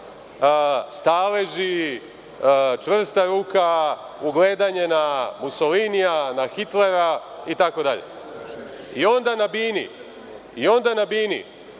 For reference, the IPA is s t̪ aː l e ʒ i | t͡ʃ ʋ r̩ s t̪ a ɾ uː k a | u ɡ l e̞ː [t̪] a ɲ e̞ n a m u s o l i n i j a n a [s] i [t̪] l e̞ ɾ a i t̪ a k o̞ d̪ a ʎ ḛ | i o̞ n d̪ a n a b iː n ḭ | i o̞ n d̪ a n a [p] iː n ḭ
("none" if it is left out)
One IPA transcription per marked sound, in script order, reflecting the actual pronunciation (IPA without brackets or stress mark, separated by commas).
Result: d̪, x, t̪, b